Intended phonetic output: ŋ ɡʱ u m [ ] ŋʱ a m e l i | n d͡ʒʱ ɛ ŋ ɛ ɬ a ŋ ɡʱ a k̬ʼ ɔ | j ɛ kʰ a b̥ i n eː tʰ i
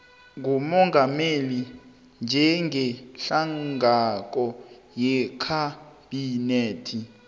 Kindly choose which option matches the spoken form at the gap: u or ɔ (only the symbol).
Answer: ɔ